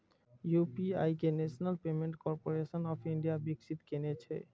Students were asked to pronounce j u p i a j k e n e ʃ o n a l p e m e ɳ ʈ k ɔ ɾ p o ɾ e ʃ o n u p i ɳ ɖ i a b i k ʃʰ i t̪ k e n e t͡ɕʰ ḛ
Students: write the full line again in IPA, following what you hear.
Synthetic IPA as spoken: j u p i a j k e n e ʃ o n a l p e m e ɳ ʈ k ɔ ɾ p o ɾ e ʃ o n ɔ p i ɳ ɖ i a b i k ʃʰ i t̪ k e n e t͡ɕʰ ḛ